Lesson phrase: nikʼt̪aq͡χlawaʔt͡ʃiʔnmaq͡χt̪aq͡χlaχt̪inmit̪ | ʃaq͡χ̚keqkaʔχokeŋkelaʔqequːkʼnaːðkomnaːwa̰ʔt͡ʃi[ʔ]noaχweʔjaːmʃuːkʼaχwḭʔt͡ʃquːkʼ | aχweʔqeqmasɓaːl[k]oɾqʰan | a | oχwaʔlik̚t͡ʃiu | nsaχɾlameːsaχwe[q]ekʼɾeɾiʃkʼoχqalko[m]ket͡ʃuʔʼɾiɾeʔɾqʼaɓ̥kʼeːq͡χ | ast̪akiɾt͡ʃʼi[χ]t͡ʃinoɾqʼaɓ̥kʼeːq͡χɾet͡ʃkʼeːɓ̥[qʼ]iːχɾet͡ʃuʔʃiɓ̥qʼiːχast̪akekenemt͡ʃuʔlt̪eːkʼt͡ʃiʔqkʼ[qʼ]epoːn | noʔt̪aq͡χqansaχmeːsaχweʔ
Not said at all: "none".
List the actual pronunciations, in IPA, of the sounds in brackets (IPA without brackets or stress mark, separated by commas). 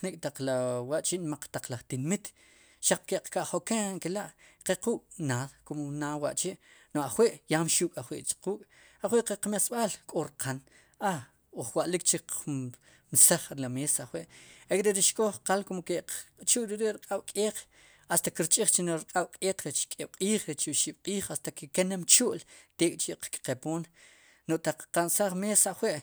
ʔ, kʼ, ʔ, m, χ, qʼ, q